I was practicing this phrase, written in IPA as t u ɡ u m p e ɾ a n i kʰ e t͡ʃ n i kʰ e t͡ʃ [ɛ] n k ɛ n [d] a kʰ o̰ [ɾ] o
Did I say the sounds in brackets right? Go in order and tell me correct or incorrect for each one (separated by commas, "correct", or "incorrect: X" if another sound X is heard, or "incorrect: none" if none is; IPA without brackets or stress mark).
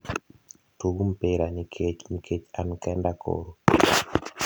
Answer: incorrect: a, correct, correct